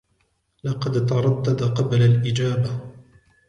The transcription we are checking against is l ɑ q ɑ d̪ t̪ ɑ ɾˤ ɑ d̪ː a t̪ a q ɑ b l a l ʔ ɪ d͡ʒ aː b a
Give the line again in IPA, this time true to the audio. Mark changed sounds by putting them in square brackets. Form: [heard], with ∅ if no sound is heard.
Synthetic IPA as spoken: l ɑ q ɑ d̪ t̪ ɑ ɾˤ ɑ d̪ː a [d̪] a q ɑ b l a l ʔ ɪ d͡ʒ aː b a